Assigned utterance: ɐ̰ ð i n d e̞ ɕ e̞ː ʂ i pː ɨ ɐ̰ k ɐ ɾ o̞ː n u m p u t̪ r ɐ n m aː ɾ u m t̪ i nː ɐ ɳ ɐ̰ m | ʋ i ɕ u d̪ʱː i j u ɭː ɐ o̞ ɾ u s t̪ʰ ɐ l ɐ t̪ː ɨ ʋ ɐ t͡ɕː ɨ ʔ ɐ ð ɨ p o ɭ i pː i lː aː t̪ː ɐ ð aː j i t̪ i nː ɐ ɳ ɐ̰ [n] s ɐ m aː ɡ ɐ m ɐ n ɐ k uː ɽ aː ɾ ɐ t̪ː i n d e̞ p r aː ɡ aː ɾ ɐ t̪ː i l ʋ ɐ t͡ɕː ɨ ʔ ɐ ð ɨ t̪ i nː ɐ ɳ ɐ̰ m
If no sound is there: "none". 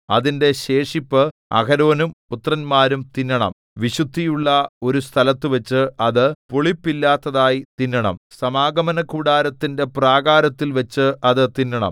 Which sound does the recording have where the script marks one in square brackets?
m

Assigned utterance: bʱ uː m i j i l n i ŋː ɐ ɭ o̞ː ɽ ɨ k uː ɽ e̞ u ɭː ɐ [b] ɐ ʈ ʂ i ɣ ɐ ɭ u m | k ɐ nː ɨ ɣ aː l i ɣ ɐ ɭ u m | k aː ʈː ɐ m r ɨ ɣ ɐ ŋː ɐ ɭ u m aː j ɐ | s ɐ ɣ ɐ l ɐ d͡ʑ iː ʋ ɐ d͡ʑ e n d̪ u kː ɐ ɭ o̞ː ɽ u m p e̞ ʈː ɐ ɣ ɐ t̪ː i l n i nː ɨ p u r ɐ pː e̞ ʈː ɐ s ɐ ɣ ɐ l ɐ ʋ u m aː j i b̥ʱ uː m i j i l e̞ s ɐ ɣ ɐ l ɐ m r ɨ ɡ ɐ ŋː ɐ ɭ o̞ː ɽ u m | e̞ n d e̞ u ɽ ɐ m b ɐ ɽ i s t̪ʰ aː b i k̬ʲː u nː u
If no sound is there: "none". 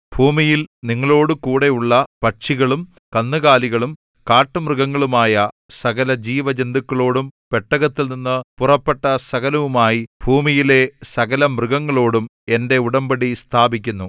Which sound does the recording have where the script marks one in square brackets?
p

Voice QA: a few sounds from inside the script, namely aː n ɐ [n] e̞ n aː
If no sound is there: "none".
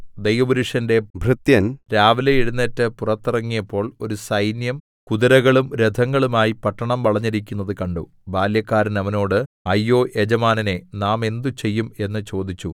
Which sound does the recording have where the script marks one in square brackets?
n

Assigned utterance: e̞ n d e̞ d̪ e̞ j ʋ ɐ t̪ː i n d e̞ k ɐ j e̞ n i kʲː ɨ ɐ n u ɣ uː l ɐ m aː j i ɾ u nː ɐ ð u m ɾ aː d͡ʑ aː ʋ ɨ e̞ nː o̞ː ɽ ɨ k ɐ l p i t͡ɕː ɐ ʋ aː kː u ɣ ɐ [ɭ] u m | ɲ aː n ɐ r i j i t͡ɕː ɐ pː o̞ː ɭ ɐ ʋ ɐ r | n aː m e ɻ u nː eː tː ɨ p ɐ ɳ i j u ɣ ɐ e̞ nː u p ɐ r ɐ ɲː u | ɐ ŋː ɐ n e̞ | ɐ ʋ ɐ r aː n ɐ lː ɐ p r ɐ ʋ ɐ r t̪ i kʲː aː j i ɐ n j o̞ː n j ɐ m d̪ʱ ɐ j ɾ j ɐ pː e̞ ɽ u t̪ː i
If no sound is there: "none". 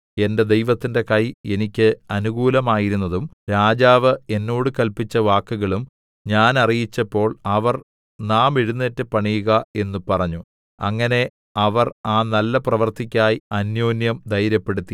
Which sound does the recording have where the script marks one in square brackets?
ɭ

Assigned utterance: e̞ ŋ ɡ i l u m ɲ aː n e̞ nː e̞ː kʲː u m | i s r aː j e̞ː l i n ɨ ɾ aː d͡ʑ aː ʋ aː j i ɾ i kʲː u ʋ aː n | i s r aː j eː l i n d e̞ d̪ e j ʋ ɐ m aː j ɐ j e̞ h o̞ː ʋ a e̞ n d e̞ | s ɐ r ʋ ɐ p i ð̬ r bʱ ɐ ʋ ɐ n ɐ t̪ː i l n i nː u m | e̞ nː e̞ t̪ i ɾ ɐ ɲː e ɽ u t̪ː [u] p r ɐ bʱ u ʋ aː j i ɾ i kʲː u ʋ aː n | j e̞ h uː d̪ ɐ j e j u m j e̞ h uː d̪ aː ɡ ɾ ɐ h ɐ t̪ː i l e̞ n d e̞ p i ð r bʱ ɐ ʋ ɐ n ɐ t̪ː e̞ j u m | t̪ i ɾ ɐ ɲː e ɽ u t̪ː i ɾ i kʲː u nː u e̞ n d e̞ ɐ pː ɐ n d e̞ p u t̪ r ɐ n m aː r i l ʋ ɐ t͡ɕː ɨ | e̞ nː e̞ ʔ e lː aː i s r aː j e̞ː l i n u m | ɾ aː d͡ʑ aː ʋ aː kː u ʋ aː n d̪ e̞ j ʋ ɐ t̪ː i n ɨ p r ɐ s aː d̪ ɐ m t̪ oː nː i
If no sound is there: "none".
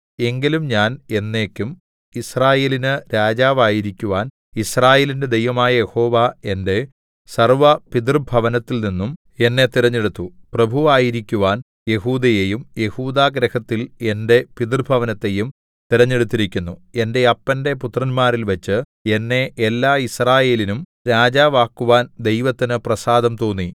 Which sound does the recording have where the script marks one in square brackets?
u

